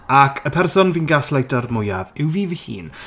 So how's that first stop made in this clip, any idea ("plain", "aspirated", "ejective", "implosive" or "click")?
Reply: aspirated